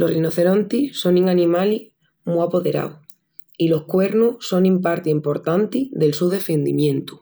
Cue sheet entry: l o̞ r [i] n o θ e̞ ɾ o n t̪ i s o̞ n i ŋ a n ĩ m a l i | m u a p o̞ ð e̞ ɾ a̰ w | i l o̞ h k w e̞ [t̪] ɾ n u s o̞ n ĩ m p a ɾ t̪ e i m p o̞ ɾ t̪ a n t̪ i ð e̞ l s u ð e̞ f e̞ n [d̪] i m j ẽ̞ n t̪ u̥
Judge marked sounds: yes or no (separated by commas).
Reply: yes, no, yes